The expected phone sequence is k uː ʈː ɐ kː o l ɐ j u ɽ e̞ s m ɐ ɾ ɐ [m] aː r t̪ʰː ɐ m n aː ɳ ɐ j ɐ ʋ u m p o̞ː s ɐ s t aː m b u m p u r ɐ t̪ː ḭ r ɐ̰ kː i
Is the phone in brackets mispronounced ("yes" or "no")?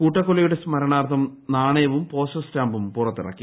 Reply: yes